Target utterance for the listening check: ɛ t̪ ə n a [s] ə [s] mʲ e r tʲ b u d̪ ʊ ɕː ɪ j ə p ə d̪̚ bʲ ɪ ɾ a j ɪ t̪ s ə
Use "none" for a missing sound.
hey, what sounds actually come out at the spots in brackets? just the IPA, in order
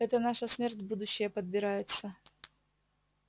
ʂ, s

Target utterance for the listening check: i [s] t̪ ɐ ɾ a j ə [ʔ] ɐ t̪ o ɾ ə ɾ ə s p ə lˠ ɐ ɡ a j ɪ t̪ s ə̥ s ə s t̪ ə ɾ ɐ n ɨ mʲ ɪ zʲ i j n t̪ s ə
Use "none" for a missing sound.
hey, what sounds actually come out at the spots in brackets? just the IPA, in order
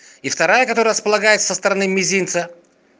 f, k

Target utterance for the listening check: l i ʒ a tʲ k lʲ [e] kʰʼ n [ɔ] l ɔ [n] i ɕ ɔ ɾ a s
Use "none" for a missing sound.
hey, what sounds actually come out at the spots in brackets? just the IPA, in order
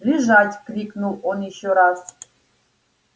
i, u, n

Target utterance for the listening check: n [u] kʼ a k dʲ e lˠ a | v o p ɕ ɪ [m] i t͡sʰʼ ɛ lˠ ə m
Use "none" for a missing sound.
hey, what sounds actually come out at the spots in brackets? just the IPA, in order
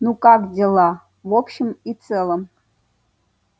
u, m

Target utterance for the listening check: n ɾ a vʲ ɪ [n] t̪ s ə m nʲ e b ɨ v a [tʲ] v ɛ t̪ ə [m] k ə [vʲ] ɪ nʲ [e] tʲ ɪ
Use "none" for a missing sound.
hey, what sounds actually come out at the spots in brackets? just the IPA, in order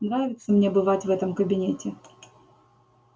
none, tʲ, m, bʲ, e

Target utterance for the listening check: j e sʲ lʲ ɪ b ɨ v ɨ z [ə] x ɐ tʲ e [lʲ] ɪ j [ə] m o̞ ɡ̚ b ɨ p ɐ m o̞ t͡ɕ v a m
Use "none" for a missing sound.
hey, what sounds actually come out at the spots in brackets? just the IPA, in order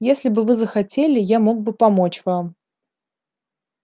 ə, lʲ, a

